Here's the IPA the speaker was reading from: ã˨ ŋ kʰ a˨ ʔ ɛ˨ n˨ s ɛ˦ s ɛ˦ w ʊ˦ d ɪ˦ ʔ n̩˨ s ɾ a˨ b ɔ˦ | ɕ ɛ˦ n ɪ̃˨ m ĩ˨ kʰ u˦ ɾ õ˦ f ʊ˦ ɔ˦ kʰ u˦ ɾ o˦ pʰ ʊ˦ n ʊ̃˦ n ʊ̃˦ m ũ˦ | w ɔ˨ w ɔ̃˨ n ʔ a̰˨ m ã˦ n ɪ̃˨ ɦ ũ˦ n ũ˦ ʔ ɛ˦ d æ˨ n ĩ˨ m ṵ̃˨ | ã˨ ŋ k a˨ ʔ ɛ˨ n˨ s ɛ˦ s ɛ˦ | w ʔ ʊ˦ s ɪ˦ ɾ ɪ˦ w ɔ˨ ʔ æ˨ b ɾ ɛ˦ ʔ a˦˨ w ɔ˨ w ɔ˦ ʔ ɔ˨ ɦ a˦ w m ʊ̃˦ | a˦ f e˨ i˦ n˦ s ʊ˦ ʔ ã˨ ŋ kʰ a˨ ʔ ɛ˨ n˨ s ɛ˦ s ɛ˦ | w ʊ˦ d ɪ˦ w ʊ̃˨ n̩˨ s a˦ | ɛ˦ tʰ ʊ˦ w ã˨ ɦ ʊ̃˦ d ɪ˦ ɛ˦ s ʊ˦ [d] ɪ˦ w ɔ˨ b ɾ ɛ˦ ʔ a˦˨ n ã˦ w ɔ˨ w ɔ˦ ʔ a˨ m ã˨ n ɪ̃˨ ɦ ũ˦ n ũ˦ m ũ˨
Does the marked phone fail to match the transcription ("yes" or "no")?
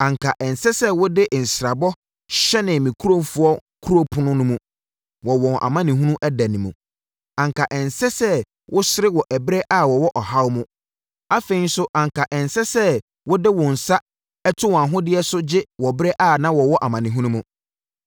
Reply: yes